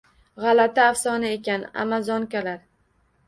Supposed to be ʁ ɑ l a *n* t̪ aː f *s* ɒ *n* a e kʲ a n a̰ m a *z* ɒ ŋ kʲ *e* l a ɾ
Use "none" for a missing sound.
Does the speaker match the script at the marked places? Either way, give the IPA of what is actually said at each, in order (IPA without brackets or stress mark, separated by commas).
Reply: none, s, n, z, a